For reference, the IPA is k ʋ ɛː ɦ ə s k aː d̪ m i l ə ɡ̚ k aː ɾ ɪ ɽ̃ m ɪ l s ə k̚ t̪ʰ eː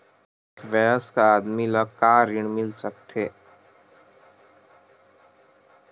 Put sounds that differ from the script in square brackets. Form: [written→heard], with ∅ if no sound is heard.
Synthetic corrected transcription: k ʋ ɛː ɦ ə s k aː d̪ m i l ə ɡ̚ k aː ɾ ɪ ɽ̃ m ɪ l s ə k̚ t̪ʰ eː